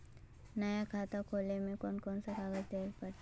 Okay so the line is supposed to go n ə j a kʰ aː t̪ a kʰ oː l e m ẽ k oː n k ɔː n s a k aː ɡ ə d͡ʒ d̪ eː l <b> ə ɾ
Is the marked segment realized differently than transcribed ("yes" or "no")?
yes